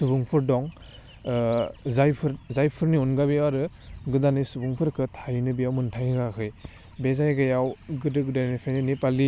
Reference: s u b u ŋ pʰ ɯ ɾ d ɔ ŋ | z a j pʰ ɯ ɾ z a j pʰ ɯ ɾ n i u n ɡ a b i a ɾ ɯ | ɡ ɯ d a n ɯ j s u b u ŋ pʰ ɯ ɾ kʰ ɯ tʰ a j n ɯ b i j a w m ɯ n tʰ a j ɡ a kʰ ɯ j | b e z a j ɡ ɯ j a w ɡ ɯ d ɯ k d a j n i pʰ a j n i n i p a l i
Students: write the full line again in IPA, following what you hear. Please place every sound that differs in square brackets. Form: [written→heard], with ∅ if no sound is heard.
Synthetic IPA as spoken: s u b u ŋ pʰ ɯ ɾ d ɔ ŋ | z a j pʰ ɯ ɾ z a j pʰ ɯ ɾ n i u n ɡ a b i a ɾ ɯ | ɡ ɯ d a n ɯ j s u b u ŋ pʰ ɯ ɾ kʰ ɯ tʰ a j n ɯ b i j a w m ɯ n tʰ a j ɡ a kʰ ɯ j | b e z a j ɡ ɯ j a w ɡ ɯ d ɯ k d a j n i pʰ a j n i n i p a l i